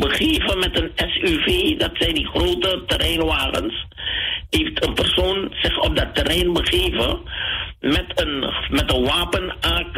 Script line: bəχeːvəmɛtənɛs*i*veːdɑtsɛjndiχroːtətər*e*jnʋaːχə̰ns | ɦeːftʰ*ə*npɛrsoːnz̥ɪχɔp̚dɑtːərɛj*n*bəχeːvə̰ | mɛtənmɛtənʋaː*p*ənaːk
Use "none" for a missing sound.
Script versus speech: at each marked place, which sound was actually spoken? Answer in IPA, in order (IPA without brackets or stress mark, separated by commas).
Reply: y, ɛ, ə, n, p